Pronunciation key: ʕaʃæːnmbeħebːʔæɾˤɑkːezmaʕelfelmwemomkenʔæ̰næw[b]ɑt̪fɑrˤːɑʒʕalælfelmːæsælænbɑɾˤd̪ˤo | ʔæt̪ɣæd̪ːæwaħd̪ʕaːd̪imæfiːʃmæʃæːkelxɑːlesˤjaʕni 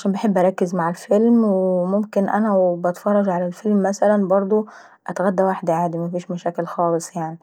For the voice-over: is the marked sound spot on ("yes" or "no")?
yes